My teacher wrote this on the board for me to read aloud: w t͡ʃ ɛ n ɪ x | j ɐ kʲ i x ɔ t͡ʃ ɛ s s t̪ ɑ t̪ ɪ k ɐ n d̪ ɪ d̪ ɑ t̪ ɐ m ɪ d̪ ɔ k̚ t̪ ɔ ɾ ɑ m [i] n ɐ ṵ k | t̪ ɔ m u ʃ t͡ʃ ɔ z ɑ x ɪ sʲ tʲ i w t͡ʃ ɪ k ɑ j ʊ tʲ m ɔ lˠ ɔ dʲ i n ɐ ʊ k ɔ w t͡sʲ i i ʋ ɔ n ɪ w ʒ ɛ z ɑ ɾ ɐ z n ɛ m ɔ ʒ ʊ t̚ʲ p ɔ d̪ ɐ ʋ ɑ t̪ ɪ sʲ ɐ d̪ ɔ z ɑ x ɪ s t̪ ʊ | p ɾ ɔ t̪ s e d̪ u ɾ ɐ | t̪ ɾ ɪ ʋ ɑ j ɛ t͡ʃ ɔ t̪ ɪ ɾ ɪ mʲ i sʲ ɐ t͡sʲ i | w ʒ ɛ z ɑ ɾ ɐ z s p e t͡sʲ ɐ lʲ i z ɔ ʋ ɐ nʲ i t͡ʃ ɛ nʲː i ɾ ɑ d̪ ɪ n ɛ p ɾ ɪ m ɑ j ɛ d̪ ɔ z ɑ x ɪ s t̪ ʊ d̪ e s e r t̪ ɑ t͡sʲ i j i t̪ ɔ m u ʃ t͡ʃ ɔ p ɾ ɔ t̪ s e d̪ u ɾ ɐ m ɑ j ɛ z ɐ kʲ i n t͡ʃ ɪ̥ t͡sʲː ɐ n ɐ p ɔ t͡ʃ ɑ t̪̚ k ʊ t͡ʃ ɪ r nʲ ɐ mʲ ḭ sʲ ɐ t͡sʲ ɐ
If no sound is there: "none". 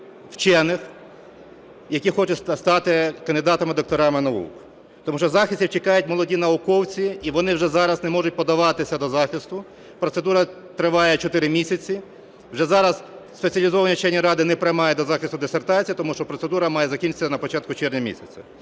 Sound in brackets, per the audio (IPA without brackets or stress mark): ɪ